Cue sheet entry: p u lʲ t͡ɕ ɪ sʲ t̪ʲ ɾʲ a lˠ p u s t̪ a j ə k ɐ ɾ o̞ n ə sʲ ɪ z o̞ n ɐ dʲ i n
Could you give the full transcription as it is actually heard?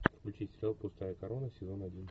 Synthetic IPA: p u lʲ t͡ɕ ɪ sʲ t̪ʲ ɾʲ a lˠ p ʊ s t̪ a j ə k ɐ ɾ o̞ n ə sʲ ɪ z o̞ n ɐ dʲ i n